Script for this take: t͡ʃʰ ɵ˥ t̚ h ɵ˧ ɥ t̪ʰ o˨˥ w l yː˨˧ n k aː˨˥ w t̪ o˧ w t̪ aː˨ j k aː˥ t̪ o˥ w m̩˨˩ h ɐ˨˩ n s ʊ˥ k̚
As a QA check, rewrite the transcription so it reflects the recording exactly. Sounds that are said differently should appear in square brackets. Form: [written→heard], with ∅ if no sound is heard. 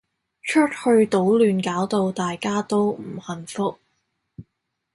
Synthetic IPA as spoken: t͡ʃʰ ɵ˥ t̚ h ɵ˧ ɥ [t̪ʰ→t̪] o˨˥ w l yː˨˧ n k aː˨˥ w t̪ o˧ w t̪ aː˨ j k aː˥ t̪ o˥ w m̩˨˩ h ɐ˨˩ n [s→f] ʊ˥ k̚